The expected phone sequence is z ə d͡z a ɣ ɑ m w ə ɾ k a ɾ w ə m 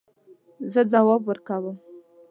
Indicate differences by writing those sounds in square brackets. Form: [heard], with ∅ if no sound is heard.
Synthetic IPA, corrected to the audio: z ə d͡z a [w] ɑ [b] w ə ɾ k a [∅] w ə m